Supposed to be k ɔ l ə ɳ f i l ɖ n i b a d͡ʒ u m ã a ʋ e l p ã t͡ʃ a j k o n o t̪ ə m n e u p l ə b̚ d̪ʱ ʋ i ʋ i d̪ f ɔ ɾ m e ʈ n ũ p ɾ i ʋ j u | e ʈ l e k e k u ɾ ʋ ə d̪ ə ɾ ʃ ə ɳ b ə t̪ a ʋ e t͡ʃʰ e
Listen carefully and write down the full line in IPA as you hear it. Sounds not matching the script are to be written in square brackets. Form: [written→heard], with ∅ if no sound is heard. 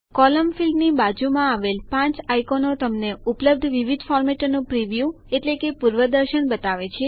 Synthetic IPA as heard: k ɔ l ə [ɳ→m] f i l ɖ n i b a d͡ʒ u m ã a ʋ e l p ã t͡ʃ a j k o n o t̪ ə m n e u p l ə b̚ d̪ʱ ʋ i ʋ i d̪ f ɔ ɾ m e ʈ n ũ p ɾ i ʋ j u | e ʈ l e k e [k→p] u ɾ ʋ ə d̪ ə ɾ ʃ ə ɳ b ə t̪ a ʋ e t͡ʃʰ e